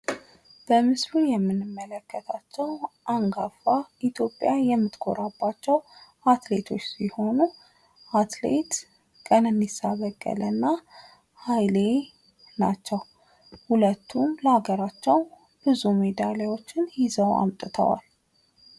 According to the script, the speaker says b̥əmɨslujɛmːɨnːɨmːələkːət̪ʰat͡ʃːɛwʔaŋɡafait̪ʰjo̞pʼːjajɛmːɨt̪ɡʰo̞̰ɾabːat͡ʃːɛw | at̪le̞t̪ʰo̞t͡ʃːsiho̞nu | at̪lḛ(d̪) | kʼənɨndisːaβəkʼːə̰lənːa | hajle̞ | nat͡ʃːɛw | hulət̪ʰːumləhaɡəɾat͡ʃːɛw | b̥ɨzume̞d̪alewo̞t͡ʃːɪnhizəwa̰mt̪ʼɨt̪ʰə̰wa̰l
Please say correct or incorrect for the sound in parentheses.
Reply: incorrect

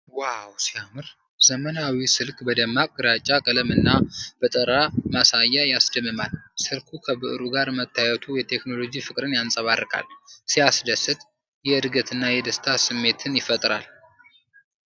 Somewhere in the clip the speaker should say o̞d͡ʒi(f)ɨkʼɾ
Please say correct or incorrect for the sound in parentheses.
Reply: correct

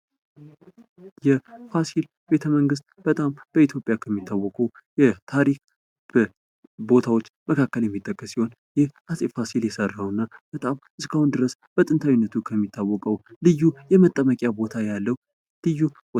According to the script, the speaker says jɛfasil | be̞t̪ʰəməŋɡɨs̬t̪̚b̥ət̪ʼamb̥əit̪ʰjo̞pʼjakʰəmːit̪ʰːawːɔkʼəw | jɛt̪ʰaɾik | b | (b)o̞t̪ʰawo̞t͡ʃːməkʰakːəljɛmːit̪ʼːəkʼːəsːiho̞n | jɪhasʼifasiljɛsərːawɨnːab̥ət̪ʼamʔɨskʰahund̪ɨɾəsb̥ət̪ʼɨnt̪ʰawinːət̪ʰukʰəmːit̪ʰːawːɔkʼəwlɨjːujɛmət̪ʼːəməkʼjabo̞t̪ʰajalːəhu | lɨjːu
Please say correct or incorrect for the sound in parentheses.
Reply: correct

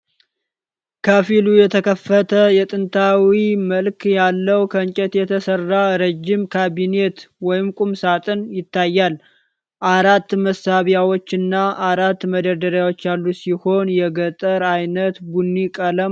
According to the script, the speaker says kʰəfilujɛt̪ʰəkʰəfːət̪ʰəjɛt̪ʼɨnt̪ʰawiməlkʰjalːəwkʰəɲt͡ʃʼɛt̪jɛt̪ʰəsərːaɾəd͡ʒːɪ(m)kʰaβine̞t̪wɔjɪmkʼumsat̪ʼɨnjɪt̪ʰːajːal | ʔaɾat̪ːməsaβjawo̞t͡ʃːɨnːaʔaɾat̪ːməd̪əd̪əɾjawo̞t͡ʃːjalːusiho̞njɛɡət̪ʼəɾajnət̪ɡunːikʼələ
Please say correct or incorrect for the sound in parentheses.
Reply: correct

